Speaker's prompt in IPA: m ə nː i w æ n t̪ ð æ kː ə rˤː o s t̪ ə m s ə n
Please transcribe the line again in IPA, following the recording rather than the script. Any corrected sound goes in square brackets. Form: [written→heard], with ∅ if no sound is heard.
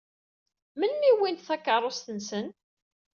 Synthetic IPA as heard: m ə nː i w [æ→i] n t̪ [ð→θ] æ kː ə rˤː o s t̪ ə [m→n] s ə n